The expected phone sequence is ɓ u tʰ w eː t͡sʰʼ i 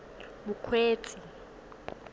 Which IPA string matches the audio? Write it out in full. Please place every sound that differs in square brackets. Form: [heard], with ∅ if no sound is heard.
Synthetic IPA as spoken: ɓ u [kʰ] w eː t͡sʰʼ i